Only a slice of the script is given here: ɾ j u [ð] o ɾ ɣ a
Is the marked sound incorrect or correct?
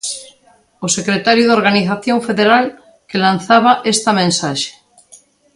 correct